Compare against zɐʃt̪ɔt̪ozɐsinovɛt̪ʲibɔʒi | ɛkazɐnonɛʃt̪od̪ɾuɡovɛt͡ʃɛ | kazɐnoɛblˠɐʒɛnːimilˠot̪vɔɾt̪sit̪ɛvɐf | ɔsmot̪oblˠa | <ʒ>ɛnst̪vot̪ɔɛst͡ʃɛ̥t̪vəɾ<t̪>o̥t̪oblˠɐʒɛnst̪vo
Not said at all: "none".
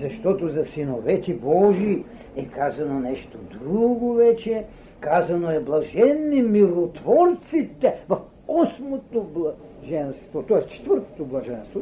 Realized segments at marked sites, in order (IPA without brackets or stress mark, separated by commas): ʒ, t̪